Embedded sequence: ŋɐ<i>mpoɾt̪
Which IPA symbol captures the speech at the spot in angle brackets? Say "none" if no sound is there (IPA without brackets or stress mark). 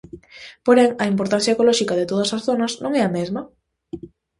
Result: i